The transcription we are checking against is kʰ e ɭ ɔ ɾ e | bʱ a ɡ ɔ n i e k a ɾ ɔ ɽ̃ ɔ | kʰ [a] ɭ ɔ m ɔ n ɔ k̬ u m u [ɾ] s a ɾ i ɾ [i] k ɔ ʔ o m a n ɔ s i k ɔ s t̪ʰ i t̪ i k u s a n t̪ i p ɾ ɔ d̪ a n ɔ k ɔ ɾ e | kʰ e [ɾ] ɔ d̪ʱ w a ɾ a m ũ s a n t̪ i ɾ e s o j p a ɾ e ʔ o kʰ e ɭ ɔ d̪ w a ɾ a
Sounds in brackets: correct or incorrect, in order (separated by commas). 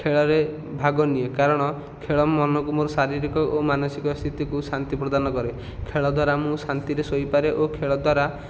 incorrect, correct, correct, incorrect